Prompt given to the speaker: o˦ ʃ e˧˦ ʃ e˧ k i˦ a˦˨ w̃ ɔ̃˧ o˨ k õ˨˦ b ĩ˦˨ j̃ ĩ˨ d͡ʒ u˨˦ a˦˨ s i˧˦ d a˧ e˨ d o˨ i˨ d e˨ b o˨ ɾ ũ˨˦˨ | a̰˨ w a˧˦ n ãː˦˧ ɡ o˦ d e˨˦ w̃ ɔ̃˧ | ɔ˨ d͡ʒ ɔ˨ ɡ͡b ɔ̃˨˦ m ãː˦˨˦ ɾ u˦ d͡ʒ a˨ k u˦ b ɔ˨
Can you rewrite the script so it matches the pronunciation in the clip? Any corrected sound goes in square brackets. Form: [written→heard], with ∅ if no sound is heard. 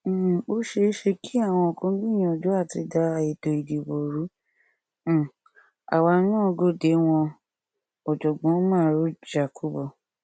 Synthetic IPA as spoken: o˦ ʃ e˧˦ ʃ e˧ k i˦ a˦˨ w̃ ɔ̃˧ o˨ k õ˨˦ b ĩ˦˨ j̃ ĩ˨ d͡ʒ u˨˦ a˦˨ [s→t] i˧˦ d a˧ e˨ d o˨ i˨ d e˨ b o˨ ɾ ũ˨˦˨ | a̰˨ w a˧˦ n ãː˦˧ ɡ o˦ d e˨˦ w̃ ɔ̃˧ | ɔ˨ d͡ʒ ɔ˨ ɡ͡b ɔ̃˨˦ m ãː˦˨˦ ɾ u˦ d͡ʒ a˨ k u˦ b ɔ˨